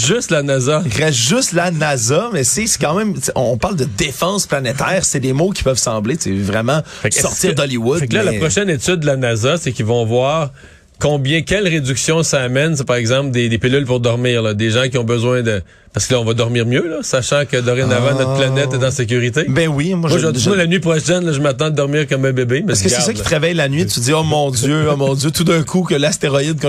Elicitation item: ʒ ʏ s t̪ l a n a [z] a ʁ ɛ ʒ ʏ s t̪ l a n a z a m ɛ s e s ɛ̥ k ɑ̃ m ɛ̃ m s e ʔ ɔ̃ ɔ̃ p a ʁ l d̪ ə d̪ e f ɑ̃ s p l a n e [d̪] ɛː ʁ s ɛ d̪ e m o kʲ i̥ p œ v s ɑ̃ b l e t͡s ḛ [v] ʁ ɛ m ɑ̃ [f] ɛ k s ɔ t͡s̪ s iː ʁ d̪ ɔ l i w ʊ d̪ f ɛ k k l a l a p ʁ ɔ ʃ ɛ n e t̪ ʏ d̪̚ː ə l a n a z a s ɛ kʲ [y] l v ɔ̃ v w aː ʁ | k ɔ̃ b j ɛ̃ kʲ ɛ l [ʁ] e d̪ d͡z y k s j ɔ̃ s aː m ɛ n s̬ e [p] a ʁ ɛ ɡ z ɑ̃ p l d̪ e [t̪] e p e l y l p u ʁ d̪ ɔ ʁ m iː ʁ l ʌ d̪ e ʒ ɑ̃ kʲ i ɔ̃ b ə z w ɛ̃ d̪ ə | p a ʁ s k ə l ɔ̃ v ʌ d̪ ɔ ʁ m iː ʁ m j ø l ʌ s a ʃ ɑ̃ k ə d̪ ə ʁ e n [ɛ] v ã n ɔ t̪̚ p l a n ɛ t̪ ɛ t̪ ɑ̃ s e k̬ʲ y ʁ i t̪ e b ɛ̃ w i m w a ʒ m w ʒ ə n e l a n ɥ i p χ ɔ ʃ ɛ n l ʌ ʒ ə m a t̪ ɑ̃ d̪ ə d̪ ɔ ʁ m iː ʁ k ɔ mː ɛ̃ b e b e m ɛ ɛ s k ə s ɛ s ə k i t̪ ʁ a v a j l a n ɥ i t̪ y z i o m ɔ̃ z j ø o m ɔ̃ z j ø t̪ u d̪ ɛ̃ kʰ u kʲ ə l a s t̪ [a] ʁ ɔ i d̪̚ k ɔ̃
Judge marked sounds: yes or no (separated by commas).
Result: yes, no, yes, yes, no, yes, yes, no, no, no